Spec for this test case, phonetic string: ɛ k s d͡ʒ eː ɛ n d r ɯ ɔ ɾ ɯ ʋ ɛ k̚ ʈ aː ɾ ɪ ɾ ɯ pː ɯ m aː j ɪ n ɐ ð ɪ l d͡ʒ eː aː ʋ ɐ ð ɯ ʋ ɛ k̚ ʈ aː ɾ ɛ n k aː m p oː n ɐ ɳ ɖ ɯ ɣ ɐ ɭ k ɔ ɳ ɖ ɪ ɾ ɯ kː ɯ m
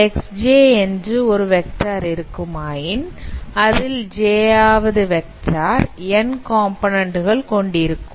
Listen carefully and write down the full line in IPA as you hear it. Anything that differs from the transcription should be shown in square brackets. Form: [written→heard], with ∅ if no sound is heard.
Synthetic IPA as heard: ɛ k s d͡ʒ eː ɛ n d r ɯ ɔ ɾ ɯ ʋ ɛ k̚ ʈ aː ɾ ɪ ɾ ɯ [pː→kː] ɯ m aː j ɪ n ɐ ð ɪ l d͡ʒ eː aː ʋ ɐ ð ɯ ʋ ɛ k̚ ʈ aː ɾ ɛ n k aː m p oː n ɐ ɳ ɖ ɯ ɣ ɐ ɭ k ɔ ɳ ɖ ɪ ɾ ɯ kː ɯ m

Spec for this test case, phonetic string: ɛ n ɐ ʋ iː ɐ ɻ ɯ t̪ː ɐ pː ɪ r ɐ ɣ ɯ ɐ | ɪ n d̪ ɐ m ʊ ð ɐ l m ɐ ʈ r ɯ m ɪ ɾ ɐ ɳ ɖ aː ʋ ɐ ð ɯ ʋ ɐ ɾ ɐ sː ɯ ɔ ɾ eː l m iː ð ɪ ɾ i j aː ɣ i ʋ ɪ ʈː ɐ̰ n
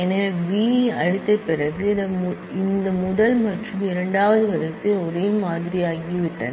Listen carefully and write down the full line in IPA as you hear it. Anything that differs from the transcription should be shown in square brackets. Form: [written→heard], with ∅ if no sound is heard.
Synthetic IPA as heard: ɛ n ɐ ʋ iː ɐ ɻ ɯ t̪ː ɐ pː ɪ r ɐ ɣ ɯ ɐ | ɪ n d̪ ɐ m ʊ ð ɐ l m ɐ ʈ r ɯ m ɪ ɾ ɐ ɳ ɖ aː ʋ ɐ ð ɯ ʋ ɐ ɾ ɐ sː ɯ ɔ ɾ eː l m [iː→aː] ð ɪ ɾ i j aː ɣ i ʋ ɪ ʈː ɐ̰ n

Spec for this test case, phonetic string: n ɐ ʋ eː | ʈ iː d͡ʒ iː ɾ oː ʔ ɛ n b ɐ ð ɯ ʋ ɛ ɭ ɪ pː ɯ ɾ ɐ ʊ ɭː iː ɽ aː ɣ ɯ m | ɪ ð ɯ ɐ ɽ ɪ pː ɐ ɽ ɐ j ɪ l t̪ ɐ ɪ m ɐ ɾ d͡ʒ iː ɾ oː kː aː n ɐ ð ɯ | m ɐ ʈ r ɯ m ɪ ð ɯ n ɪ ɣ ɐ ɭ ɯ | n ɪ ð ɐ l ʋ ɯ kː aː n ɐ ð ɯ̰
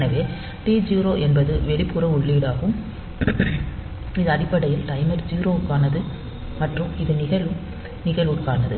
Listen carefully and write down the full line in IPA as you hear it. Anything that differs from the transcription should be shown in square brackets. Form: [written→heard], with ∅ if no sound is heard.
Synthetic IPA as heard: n ɐ ʋ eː | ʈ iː d͡ʒ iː ɾ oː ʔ ɛ n b ɐ ð ɯ ʋ ɛ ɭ ɪ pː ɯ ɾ ɐ ʊ ɭː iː ɽ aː ɣ ɯ m | ɪ ð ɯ ɐ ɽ ɪ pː ɐ ɽ ɐ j ɪ l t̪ ɐ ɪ m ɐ ɾ d͡ʒ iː ɾ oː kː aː n ɐ ð ɯ | m ɐ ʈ r ɯ m ɪ ð ɯ n ɪ ɣ ɐ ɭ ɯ | n ɪ [ð→ɣ] ɐ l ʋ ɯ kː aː n ɐ ð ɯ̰

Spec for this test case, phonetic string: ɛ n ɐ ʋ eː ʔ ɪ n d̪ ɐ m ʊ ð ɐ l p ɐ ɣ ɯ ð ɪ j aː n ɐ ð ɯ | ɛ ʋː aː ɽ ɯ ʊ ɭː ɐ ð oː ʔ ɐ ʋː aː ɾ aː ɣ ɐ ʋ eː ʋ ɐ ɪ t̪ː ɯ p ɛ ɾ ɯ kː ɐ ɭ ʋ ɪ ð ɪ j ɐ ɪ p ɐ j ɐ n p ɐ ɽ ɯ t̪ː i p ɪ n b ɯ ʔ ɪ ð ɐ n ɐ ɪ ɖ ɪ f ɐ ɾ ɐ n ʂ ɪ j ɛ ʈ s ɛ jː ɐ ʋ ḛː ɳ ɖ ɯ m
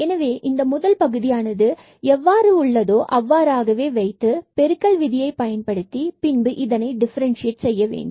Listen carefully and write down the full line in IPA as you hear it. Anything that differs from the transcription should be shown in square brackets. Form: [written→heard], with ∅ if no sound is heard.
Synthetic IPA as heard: ɛ n ɐ ʋ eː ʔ ɪ n d̪ ɐ m ʊ ð ɐ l p ɐ ɣ ɯ ð ɪ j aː n ɐ ð ɯ | ɛ ʋː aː [ɽ→ɾ] ɯ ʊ ɭː ɐ ð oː ʔ ɐ ʋː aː ɾ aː ɣ ɐ ʋ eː ʋ ɐ ɪ t̪ː ɯ p ɛ ɾ ɯ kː ɐ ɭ ʋ ɪ ð ɪ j ɐ ɪ p ɐ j ɐ n p ɐ ɽ ɯ t̪ː i p ɪ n b ɯ ʔ ɪ ð ɐ n ɐ ɪ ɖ ɪ f ɐ ɾ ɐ n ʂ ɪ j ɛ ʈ s ɛ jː ɐ ʋ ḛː ɳ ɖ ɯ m

